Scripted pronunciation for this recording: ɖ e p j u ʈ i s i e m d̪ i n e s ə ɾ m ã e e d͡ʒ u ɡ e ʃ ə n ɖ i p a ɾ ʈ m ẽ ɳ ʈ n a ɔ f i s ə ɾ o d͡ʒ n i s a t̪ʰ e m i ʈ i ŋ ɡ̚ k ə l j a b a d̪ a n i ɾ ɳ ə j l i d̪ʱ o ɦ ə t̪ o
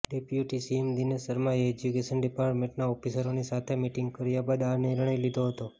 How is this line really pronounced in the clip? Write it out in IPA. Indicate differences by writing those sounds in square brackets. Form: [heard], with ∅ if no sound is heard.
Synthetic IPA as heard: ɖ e p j u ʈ i s i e m d̪ i n e s ə ɾ m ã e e d͡ʒ u [k] e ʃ ə n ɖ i p a ɾ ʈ m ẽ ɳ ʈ n a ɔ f i s ə ɾ o [∅] n i s a t̪ʰ e m i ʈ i ŋ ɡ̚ k ə [ɾ] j a b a d̪ a n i ɾ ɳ ə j l i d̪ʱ o ɦ ə t̪ o